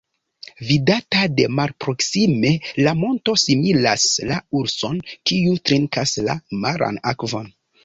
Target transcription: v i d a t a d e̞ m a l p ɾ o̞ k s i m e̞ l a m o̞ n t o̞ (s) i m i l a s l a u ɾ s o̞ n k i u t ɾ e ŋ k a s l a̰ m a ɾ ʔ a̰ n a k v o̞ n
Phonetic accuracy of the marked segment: correct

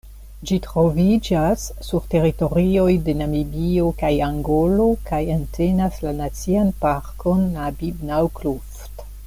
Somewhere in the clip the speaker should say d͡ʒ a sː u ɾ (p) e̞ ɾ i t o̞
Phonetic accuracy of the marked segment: incorrect: t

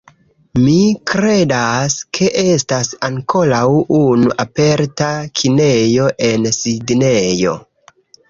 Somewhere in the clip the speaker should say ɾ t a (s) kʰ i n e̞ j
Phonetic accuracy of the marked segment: incorrect: none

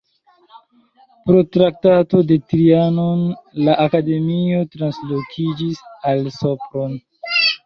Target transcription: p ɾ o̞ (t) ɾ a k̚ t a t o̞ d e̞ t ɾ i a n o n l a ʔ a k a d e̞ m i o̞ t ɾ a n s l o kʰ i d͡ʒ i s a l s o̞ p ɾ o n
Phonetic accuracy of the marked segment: correct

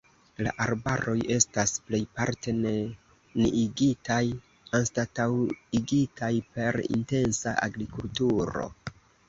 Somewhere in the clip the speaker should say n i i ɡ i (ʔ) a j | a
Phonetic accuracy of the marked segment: incorrect: t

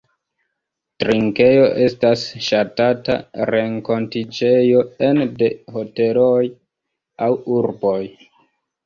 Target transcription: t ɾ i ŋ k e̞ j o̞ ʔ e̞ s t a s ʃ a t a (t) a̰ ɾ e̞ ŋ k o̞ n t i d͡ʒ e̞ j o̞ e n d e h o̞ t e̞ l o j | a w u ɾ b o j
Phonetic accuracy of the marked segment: correct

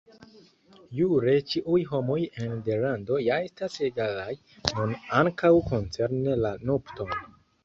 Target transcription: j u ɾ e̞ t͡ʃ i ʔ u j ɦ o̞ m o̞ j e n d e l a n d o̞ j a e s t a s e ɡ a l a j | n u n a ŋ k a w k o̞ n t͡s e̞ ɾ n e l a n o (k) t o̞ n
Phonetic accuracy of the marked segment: incorrect: p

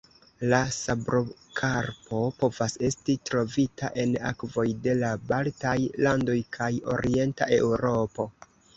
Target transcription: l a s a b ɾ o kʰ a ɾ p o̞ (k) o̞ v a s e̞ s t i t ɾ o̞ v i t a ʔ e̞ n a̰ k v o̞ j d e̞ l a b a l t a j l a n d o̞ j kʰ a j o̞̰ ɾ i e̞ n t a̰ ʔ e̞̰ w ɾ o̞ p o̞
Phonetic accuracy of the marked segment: incorrect: p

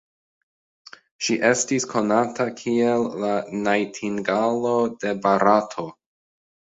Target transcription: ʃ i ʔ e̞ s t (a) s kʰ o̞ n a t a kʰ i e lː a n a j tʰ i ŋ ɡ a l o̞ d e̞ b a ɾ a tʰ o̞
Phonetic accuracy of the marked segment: incorrect: i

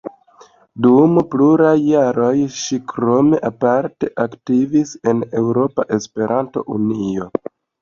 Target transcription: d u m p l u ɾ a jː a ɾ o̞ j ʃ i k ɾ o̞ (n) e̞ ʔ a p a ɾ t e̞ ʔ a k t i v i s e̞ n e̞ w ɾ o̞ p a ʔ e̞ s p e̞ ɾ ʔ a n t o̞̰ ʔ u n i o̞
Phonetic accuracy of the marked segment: incorrect: m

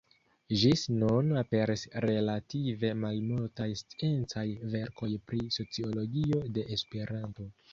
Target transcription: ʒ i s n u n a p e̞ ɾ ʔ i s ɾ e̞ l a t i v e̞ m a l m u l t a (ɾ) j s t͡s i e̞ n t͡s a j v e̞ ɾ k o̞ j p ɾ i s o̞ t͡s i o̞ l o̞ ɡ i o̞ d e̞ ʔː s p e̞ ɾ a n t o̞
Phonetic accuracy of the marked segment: incorrect: none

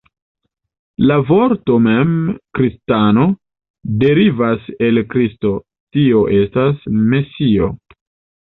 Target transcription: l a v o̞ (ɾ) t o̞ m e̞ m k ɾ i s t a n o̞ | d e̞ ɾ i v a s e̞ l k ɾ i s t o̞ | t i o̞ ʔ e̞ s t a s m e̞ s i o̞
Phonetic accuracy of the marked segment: correct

